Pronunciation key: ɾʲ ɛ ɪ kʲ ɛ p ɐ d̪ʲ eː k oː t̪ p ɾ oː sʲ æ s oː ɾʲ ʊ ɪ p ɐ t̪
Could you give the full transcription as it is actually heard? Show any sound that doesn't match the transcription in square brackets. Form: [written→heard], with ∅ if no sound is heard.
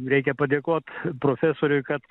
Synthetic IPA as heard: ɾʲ ɛ ɪ kʲ ɛ p ɐ d̪ʲ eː k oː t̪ p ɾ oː [sʲ→fʲ] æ s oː ɾʲ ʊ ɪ [p→k] ɐ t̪